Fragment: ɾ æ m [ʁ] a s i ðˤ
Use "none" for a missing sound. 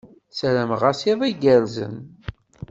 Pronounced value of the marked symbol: ʁ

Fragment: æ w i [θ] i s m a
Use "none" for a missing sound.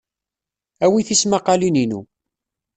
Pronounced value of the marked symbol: θ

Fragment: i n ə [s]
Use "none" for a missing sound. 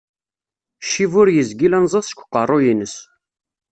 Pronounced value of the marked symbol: s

